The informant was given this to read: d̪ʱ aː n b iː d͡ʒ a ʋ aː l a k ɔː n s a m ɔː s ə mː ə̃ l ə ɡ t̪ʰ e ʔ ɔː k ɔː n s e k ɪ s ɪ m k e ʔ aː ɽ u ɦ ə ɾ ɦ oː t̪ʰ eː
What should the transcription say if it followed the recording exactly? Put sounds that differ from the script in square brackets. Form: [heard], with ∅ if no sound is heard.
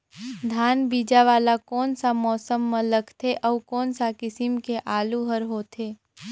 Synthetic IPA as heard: d̪ʱ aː n b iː d͡ʒ a ʋ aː l a k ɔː n s a m ɔː s ə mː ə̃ l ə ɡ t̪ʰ e ʔ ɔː k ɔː n s [a] k ɪ s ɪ m k e ʔ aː [l] u ɦ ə ɾ ɦ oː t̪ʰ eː